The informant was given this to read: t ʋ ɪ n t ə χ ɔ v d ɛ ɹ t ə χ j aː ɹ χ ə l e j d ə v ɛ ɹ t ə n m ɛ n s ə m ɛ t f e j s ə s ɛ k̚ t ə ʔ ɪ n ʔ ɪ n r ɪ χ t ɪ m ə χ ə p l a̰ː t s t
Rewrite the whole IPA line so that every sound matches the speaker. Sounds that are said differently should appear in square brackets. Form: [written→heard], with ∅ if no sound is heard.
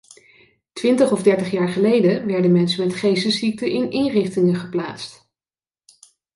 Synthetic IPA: t ʋ ɪ n t ə χ ɔ v d ɛ ɹ t ə χ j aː ɹ χ ə l e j d ə [v→ʋ] ɛ ɹ [t→d] ə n m ɛ n s ə m ɛ t [f→χ] e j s ə s [ɛ→i] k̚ t ə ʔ ɪ n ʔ ɪ n r ɪ χ t ɪ [m→ŋ] ə χ ə p l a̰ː t s t